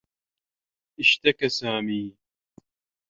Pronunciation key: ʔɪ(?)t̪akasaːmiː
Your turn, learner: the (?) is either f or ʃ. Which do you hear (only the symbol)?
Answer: ʃ